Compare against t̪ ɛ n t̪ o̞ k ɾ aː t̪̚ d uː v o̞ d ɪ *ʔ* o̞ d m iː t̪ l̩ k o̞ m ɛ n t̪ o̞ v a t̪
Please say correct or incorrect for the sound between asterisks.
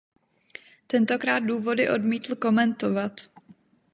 correct